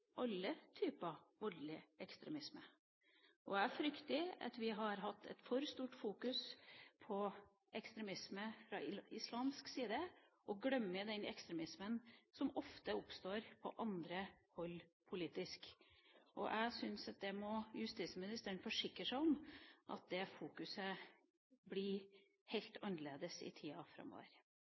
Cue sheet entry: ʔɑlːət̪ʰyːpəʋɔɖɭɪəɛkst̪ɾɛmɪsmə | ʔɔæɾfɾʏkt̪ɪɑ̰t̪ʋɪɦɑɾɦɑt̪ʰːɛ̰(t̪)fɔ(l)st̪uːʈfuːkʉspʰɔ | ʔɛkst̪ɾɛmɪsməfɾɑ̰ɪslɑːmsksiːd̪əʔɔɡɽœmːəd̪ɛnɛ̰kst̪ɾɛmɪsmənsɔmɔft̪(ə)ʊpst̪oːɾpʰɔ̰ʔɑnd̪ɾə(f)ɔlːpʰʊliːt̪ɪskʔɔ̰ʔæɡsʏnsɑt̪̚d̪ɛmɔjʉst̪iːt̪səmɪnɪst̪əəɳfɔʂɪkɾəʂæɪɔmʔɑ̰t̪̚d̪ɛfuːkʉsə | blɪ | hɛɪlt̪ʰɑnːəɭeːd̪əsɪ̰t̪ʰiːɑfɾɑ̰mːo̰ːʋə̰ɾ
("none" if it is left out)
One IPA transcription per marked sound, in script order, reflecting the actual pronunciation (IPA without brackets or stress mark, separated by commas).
t̪, ɾ, ə, h